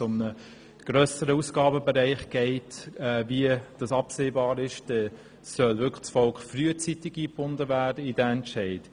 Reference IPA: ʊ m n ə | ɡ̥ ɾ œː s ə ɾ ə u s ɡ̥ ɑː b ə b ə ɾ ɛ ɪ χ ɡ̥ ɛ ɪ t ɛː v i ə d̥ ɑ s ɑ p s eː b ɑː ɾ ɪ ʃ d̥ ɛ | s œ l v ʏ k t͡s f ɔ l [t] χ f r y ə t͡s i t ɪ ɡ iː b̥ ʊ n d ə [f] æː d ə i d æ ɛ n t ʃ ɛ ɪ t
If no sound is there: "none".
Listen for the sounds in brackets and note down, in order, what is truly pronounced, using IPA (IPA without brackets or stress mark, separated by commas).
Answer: k, v